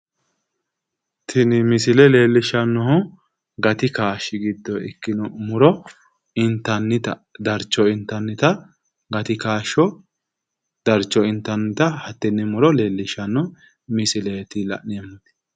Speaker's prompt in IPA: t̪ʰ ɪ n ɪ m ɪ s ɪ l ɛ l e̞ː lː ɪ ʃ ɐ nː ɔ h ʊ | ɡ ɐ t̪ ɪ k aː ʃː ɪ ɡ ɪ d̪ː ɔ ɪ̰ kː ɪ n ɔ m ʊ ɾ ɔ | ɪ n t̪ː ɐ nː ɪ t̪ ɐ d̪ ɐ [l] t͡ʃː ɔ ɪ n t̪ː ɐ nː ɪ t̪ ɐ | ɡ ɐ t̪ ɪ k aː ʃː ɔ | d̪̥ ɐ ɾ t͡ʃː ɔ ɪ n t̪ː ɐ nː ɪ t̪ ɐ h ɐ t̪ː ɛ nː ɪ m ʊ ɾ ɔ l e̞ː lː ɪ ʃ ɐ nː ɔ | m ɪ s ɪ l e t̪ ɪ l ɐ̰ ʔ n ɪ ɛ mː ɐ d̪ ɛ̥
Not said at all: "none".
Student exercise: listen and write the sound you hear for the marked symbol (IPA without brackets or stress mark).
ɾ